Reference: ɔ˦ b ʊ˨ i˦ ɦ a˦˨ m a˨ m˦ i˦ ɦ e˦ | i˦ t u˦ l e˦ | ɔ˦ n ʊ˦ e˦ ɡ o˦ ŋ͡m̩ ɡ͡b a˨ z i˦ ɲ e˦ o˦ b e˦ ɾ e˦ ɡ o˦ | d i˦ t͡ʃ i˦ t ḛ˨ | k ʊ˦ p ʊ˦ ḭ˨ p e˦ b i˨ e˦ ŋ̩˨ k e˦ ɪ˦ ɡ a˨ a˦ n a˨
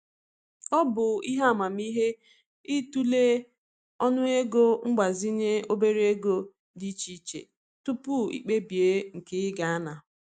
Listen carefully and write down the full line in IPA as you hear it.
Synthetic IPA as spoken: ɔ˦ b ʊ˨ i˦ ɦ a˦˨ m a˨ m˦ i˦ ɦ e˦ | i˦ t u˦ l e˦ | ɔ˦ n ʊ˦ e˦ ɡ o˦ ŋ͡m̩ ɡ͡b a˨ z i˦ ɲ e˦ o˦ b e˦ ɾ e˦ ɡ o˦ | d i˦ t͡ʃ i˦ t͡ʃ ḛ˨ | t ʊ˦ p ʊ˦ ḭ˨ k͡p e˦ b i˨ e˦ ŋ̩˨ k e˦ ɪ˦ ɡ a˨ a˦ n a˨